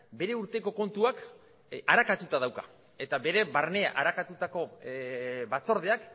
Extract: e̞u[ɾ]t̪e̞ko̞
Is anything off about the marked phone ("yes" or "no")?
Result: no